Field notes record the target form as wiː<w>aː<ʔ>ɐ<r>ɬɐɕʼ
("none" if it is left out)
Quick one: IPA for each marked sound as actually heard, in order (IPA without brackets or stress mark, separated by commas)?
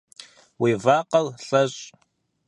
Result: v, q, l